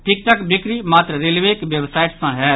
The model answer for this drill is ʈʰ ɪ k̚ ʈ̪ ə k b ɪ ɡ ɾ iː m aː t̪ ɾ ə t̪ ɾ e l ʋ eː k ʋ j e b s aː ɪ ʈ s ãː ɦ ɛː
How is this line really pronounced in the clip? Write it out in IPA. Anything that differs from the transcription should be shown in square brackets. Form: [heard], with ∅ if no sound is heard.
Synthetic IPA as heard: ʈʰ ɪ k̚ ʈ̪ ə k b ɪ [k] ɾ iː m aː t̪ ɾ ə [∅] ɾ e l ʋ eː k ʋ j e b s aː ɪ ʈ s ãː ɦ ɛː